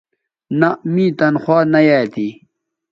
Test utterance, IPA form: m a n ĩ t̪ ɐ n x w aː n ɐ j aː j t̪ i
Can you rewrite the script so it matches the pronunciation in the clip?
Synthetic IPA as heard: n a m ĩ t̪ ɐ n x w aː n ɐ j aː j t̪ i